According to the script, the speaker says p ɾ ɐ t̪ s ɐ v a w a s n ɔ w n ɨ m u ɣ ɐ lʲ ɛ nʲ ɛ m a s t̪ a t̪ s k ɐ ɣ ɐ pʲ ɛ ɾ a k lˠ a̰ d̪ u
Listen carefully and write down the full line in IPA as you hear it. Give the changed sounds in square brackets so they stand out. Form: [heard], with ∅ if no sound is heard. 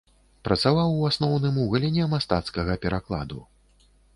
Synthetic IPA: p ɾ ɐ t̪ s [a] v a w a s n ɔ w n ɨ m u ɣ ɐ lʲ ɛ nʲ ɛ m a s t̪ a t̪ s k ɐ ɣ ɐ pʲ ɛ ɾ a k lˠ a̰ d̪ u

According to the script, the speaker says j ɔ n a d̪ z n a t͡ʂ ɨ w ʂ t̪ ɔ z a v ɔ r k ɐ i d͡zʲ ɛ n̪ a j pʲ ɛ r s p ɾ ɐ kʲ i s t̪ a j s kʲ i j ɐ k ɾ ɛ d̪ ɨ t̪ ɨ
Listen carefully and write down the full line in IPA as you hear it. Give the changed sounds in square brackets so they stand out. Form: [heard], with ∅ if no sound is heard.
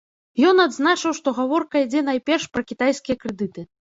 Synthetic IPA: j ɔ n a d̪ z n a t͡ʂ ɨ w ʂ t̪ ɔ [ɣ] a v ɔ r k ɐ i d͡zʲ ɛ n̪ a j pʲ ɛ r [ʂ] p ɾ ɐ kʲ i [∅] t̪ a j s kʲ i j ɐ k ɾ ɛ d̪ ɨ t̪ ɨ

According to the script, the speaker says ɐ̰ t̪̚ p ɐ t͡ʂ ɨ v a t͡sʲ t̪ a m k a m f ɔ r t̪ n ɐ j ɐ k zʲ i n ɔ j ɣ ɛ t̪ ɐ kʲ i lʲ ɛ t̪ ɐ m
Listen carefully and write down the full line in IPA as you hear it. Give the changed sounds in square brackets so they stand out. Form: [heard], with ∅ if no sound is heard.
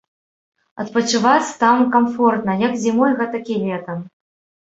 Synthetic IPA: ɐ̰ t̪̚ p ɐ t͡ʂ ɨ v a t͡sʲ t̪ a m k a m f ɔ r t̪ n ɐ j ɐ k zʲ i [m] ɔ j ɣ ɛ t̪ ɐ kʲ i lʲ ɛ t̪ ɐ m

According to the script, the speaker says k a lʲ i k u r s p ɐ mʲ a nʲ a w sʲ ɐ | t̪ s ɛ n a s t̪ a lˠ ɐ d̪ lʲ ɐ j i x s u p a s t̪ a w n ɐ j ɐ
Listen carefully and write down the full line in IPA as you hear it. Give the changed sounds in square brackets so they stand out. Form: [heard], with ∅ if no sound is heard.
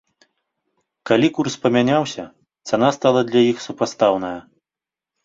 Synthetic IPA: k a lʲ i k u r s p ɐ mʲ a nʲ a w sʲ ɐ | t̪ s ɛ n a s t̪ a lˠ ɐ d̪ lʲ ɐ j i x s u p a s t̪ a w n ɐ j ɐ

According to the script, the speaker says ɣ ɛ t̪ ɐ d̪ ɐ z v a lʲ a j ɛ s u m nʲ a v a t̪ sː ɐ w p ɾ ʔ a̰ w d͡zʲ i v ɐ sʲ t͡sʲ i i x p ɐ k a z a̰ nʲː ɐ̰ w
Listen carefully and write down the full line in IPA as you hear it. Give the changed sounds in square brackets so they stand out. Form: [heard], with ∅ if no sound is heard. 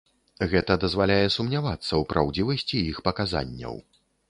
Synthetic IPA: ɣ ɛ t̪ ɐ d̪ ɐ z v a lʲ a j ɛ s u m nʲ a v a t̪ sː ɐ w p ɾ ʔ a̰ w d͡zʲ i v ɐ sʲ t͡sʲ i i x p ɐ k a z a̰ nʲː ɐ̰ w

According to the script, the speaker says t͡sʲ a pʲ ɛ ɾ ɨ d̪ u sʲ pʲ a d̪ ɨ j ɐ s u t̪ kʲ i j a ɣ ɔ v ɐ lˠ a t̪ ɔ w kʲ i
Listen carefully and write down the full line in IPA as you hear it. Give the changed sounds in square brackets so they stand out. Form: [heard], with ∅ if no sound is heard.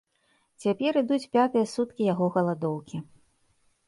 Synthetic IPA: t͡sʲ a pʲ ɛ ɾ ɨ d̪ u [t͡sʲ] pʲ a [t̪] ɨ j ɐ s u t̪ kʲ i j a ɣ ɔ [ɣ] ɐ lˠ a [d̪] ɔ w kʲ i

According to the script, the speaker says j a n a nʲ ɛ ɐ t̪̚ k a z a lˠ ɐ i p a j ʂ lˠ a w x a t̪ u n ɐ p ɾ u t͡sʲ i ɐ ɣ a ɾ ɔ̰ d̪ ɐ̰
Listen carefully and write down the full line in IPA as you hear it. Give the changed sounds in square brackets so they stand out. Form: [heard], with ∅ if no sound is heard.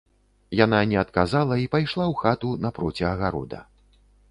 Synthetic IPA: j a n a nʲ ɛ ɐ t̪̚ k a z a lˠ ɐ i p a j ʂ lˠ a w x a t̪ u n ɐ p ɾ [ɔ] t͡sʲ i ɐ ɣ a ɾ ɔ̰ d̪ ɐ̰

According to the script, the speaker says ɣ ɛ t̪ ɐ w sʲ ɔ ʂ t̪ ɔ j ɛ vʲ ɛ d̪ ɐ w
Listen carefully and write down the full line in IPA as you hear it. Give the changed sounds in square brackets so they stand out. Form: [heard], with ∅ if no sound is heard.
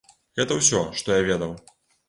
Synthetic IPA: ɣ ɛ t̪ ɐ w sʲ ɔ ʂ t̪ ɔ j [a] vʲ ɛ d̪ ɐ w

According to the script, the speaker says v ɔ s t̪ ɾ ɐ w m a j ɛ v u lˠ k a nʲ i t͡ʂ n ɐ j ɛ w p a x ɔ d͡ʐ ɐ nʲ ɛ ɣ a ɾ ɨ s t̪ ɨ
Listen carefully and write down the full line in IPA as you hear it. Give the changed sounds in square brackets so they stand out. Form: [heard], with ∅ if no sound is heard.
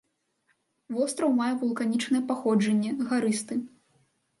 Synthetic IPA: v ɔ s t̪ ɾ ɐ w m a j ɛ v u lˠ k a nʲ i t͡ʂ n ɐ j ɛ [∅] p a x ɔ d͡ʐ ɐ [nʲː] ɛ ɣ a ɾ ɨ s t̪ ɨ

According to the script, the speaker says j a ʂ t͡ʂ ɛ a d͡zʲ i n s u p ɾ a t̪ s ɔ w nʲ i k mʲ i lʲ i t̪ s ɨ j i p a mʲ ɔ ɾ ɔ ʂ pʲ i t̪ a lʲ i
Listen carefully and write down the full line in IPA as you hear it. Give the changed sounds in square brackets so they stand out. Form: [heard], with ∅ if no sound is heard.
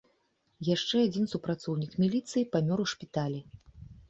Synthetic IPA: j a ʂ t͡ʂ ɛ a d͡zʲ i n s u p ɾ a t̪ s ɔ w nʲ i k mʲ i lʲ i t̪ s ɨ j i p a mʲ ɔ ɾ [u] ʂ pʲ i t̪ a lʲ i

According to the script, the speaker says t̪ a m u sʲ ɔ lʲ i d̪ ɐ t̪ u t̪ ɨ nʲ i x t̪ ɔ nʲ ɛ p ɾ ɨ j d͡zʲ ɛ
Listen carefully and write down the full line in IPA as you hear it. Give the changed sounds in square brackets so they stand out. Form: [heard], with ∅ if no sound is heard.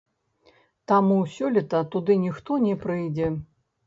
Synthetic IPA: t̪ a m u sʲ ɔ lʲ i [t̪] ɐ t̪ u [d̪] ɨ nʲ i x t̪ ɔ nʲ ɛ p ɾ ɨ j d͡zʲ ɛ

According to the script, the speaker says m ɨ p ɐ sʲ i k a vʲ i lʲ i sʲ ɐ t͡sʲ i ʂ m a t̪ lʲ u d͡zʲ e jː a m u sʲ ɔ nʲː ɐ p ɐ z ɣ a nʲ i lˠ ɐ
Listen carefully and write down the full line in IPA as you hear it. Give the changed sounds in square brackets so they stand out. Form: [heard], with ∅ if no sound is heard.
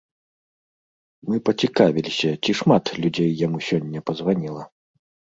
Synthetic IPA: m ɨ p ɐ [t͡sʲ] i k a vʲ i lʲ i sʲ ɐ t͡sʲ i ʂ m a t̪ lʲ u d͡zʲ e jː a m u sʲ ɔ nʲː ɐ p ɐ z [v] a nʲ i lˠ ɐ

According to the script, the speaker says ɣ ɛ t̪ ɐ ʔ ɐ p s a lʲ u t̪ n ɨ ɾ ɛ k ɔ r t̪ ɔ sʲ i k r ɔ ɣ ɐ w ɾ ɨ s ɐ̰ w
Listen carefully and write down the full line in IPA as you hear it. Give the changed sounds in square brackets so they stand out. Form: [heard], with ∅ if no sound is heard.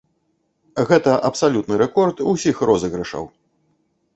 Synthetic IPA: ɣ ɛ t̪ ɐ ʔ ɐ p s a lʲ u t̪ n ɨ ɾ ɛ k ɔ r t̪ [u] sʲ i [x] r ɔ [z] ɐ [ɣ] ɾ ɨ [ʂ] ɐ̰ w

